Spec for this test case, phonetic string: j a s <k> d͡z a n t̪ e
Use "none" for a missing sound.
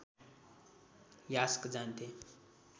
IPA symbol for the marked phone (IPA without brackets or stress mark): k